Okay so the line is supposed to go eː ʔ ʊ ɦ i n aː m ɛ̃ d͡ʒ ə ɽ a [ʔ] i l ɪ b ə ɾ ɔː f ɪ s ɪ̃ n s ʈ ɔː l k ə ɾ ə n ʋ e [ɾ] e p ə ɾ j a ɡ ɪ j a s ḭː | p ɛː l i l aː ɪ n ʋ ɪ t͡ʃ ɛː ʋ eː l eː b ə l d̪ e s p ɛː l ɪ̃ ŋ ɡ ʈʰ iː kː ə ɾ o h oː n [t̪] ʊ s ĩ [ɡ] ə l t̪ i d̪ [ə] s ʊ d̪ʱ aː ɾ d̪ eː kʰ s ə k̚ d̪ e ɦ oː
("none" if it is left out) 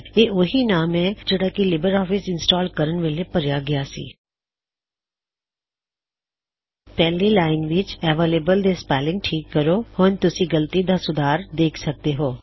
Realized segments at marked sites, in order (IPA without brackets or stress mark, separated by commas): k, l, t̪, ɡ, a